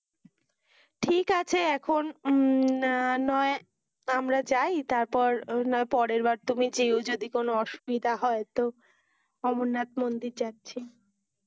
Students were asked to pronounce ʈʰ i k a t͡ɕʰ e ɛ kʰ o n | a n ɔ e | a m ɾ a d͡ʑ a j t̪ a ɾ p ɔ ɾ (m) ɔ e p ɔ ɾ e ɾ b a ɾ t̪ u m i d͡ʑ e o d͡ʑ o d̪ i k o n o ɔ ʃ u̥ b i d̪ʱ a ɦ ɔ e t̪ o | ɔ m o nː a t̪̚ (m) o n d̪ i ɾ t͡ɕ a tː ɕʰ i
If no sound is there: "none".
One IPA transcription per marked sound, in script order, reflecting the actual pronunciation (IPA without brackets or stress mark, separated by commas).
n, m